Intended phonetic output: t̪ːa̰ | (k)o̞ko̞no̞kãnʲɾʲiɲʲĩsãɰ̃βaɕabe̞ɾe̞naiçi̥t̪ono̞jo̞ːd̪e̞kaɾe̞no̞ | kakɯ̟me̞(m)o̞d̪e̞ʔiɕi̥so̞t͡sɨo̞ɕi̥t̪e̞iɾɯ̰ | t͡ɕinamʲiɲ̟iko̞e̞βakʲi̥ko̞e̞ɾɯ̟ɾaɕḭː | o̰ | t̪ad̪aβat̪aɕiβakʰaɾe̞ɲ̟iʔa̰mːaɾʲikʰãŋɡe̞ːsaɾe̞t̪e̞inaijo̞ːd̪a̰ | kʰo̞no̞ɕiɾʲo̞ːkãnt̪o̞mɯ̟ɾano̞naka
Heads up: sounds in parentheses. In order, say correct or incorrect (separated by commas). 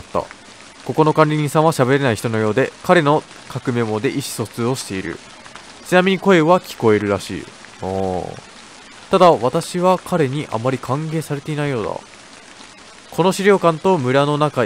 correct, correct